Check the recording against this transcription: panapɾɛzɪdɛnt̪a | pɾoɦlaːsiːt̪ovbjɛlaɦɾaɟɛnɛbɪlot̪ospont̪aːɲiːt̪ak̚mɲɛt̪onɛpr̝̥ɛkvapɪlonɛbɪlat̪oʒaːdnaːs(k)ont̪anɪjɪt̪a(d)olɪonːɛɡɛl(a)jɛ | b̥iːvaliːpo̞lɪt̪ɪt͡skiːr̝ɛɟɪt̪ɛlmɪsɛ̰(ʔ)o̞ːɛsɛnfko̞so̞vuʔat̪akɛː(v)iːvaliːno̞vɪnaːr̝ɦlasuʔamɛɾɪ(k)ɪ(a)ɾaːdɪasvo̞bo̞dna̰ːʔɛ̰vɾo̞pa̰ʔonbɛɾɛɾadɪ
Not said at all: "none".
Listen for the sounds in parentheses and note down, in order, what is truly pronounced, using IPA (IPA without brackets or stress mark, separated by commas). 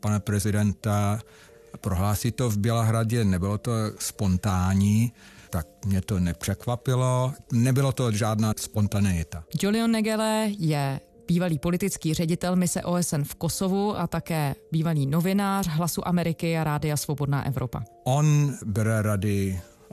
p, d͡ʒ, ɛ, ʔ, b, k, a